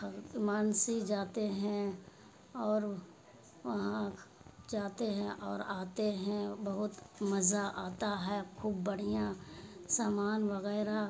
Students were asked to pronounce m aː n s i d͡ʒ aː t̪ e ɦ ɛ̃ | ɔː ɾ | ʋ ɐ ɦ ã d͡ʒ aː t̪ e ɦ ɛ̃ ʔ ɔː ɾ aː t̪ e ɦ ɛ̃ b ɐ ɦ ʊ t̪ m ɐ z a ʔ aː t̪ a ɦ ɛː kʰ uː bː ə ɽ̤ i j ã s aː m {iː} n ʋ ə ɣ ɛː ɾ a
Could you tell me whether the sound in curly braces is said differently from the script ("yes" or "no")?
yes